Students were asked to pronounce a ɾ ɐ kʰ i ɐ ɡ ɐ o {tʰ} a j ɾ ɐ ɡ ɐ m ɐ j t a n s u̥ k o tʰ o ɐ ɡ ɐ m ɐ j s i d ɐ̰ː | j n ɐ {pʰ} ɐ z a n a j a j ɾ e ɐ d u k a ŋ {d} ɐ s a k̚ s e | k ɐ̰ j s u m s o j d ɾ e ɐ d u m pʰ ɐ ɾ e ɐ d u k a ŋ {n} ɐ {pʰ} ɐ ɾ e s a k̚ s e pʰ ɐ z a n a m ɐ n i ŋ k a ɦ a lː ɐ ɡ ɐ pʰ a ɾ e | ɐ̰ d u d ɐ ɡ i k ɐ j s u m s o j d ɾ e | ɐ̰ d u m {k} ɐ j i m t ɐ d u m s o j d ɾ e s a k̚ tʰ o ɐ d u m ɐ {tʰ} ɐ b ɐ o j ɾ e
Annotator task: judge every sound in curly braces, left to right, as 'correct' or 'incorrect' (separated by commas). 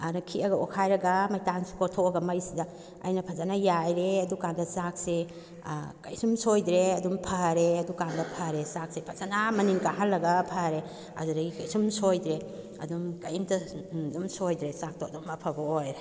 incorrect, correct, correct, incorrect, correct, correct, incorrect